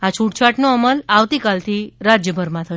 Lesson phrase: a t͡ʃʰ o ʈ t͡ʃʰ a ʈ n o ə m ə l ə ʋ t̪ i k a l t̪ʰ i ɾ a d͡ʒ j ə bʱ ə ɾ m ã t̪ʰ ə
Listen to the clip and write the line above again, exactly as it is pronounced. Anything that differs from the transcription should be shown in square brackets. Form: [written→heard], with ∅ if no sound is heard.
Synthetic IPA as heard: a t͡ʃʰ [o→u] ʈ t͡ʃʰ a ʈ n o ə m ə l [ə→a] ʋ t̪ i k a l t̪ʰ i ɾ a d͡ʒ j ə bʱ ə ɾ m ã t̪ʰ ə